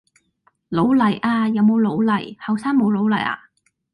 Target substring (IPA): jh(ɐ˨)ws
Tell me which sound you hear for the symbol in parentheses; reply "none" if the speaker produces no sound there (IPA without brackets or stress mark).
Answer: ɐ˨